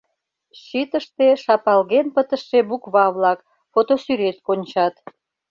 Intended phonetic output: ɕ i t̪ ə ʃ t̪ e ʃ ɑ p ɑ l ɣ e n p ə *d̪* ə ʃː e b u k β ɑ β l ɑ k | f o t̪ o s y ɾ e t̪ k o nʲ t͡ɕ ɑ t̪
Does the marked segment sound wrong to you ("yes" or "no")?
yes